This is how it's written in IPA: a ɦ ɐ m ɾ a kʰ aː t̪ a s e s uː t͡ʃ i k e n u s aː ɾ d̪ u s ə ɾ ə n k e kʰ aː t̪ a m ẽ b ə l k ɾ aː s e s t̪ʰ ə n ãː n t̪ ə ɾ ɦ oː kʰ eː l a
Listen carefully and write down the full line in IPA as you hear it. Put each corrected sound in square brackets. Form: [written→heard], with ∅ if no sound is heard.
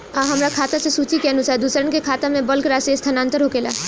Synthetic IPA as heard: a ɦ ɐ m ɾ a kʰ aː t̪ a s e s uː t͡ʃ i k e n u s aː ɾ d̪ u s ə ɾ ə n k e kʰ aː t̪ a m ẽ b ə l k ɾ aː s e s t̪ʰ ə n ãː n t̪ ə ɾ ɦ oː [kʰ→k] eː l a